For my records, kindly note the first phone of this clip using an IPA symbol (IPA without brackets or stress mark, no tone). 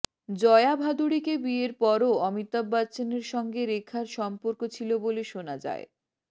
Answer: d͡ʑ